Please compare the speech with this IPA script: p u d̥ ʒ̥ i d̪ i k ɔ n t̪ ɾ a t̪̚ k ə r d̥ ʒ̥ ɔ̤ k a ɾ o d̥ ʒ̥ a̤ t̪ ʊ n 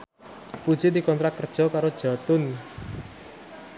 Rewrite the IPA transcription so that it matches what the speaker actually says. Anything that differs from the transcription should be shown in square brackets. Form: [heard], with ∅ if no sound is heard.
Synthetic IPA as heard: p u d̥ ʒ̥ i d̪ i k ɔ n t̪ ɾ a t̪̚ k ə r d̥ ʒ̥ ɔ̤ k a ɾ o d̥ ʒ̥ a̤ t̪ ʊ n